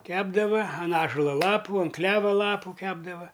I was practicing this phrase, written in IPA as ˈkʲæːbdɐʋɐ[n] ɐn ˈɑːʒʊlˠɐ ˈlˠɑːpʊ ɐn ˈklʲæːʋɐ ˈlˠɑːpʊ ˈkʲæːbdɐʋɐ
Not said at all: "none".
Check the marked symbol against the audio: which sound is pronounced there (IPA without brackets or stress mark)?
none